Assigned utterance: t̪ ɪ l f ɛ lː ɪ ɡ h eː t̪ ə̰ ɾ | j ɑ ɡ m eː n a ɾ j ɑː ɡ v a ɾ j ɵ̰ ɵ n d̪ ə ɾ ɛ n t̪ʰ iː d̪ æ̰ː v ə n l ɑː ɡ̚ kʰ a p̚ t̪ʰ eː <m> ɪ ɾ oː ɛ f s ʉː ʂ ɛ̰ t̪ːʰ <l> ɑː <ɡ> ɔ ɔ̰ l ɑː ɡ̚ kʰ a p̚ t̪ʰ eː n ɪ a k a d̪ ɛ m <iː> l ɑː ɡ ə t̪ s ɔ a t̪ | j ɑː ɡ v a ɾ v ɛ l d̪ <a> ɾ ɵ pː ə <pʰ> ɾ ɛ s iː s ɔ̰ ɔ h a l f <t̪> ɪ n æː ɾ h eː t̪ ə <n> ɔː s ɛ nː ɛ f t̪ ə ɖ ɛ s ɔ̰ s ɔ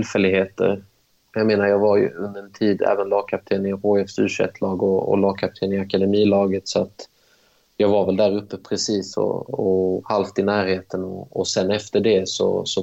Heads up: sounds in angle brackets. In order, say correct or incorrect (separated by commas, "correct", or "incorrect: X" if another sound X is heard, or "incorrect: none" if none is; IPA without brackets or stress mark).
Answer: incorrect: n, correct, correct, correct, incorrect: æ, correct, correct, correct